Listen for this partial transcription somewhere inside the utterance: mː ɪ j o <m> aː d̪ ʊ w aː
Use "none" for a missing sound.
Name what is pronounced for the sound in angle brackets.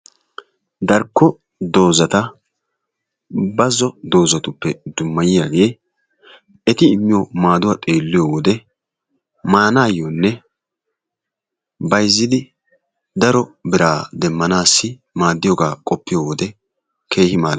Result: m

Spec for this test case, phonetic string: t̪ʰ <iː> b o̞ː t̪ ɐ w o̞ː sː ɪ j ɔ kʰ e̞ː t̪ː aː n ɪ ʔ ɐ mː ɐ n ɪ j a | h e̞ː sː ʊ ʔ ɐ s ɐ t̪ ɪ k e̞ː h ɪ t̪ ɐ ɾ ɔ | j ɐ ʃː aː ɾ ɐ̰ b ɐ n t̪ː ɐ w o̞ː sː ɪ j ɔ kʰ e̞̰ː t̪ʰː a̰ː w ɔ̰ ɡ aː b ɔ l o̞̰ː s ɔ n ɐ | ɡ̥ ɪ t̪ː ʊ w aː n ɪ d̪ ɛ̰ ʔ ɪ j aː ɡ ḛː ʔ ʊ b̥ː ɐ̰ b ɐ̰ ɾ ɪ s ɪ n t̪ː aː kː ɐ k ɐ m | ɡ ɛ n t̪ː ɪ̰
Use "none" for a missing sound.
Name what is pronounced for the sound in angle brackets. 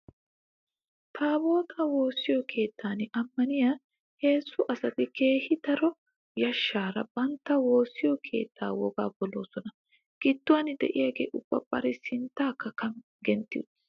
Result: aː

